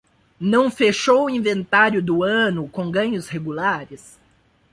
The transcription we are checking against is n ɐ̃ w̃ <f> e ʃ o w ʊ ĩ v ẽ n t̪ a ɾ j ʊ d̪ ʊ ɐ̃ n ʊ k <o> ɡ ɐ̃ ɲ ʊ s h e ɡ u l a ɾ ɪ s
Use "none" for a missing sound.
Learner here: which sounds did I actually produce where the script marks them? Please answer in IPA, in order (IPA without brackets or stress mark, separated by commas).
f, õ